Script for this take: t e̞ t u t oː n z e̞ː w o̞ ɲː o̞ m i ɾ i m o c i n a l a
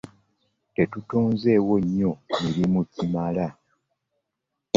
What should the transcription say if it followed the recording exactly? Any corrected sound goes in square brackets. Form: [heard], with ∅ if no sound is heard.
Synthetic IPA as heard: t e̞ t u t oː n z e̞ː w o̞ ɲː o̞ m i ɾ i m [u] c i [m] a l a